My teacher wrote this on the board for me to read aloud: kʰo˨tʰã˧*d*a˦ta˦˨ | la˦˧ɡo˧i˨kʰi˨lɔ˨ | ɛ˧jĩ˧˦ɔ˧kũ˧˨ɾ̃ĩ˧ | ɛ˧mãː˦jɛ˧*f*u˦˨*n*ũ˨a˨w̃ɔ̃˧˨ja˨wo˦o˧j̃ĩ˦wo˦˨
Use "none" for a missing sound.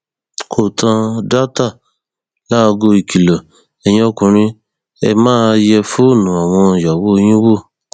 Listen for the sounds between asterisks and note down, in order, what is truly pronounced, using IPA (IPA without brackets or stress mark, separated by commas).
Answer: d, f, n